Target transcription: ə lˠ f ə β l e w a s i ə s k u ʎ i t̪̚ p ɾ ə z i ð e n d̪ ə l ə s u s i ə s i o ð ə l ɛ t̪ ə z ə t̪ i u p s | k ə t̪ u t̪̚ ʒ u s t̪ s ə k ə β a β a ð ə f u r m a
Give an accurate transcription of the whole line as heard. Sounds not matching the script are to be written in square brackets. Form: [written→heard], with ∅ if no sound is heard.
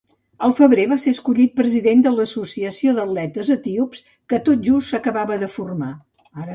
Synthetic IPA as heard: ə lˠ f ə β [l→ɾ] e [w→β] a s [i→e] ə s k u ʎ i t̪̚ p ɾ ə z i ð e n d̪ ə l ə s u s i ə s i o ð ə l ɛ t̪ ə z ə t̪ i u p s | k ə t̪ [u→o] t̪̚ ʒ u s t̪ s ə k ə β a β [a→ə] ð ə f u r m a